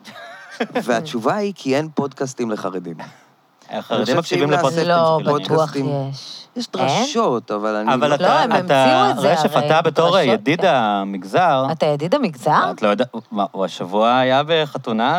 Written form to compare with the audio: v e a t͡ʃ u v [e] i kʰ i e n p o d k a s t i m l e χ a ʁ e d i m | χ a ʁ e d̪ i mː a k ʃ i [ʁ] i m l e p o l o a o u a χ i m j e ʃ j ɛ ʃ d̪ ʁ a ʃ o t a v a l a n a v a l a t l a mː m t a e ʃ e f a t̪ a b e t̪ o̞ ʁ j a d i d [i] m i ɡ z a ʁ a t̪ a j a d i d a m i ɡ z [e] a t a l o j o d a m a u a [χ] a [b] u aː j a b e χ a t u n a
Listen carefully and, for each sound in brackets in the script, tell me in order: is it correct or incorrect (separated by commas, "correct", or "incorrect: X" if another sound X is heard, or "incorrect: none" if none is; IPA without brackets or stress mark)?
incorrect: a, incorrect: v, incorrect: a, incorrect: a, incorrect: ʃ, incorrect: v